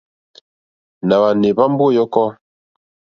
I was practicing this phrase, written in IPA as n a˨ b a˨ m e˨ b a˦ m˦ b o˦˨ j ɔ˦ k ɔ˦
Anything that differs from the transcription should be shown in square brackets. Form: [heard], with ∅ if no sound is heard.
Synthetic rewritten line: n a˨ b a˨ [n] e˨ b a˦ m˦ b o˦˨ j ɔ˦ k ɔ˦